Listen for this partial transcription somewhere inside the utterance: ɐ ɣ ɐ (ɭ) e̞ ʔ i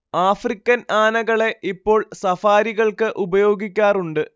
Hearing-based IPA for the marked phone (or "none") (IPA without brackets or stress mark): ɭ